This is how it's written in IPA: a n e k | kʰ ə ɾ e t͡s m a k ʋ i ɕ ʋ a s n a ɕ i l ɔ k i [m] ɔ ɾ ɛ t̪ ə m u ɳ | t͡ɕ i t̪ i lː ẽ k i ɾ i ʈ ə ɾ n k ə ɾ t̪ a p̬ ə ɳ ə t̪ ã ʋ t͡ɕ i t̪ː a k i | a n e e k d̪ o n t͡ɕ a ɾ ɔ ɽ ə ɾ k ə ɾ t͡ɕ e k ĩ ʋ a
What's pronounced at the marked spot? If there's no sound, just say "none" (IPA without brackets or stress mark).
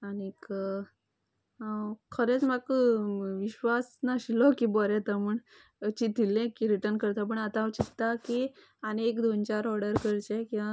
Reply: b